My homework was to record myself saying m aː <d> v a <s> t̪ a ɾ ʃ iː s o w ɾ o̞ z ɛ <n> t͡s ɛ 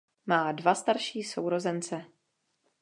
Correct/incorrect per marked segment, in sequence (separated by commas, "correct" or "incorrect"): correct, correct, correct